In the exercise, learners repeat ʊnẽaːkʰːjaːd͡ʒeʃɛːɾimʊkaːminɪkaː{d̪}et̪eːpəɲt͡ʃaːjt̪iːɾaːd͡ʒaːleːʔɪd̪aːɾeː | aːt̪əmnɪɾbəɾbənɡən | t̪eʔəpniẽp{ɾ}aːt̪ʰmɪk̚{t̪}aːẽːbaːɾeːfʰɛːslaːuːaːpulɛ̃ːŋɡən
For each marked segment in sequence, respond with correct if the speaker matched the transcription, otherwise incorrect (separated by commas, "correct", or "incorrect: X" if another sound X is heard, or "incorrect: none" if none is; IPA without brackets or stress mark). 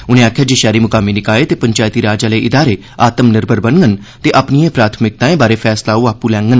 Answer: incorrect: none, correct, correct